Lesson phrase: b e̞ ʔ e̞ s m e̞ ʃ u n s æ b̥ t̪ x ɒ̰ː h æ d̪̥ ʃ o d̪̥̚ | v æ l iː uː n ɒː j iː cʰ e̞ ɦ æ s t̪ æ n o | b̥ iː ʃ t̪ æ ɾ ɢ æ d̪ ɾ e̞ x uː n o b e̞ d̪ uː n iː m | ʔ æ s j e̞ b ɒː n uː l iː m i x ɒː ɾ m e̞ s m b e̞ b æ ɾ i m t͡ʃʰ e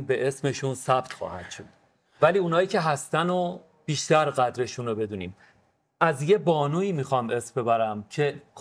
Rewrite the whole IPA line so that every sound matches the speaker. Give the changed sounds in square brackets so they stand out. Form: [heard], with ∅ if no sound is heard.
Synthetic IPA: b e̞ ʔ e̞ s m e̞ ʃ u n s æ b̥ t̪ x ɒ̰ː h æ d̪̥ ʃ o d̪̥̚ | v æ l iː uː n ɒː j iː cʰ e̞ ɦ æ s t̪ æ n o | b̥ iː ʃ t̪ æ ɾ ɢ æ d̪ ɾ e̞ [ʃ] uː n o b e̞ d̪ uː n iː m | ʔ æ [z] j e̞ b ɒː n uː [∅] iː m i x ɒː [∅] m e̞ s m b e̞ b æ ɾ [æ] m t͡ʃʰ e